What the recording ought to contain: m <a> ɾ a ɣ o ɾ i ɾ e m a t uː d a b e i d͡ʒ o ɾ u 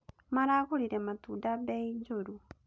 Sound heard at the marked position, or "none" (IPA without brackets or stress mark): a